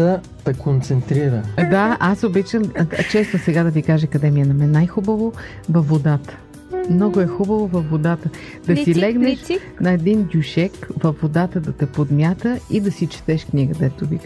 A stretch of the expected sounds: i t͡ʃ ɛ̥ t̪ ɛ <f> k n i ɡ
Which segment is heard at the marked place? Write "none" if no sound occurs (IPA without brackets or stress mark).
ʃ